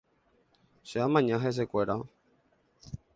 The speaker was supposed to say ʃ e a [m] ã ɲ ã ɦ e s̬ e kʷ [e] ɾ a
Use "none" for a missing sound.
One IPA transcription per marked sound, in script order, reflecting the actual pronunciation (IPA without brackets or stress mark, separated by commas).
m, e